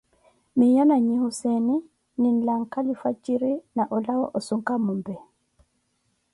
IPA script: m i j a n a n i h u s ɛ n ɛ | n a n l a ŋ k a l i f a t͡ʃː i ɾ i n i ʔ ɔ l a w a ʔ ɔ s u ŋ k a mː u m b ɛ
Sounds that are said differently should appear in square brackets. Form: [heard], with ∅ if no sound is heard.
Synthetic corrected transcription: m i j a n a [ɲ] i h u s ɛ n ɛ | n [i] n l a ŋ k a l i f a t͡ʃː i ɾ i n [a] ʔ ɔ l a w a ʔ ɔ s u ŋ k a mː u m b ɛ